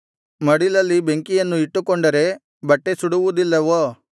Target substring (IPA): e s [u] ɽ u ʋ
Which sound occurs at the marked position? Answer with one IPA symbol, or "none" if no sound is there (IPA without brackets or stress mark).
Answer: u